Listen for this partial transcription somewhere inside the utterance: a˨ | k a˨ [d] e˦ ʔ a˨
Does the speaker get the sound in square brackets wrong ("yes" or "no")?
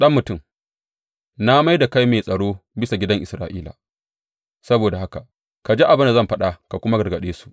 yes